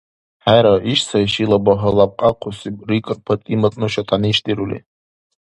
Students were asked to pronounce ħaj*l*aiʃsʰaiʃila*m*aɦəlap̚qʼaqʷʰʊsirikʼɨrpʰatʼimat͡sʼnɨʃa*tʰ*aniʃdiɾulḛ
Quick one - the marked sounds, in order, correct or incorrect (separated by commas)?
incorrect, incorrect, correct